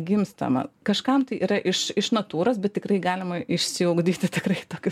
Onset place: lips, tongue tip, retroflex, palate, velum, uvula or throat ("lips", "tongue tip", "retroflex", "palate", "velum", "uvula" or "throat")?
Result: velum